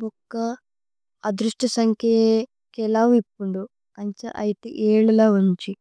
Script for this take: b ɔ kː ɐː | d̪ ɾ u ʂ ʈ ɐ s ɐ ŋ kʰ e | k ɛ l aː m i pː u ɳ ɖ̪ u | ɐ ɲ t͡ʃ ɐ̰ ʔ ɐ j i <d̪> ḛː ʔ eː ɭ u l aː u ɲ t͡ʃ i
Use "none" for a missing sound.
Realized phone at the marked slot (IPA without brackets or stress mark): t̪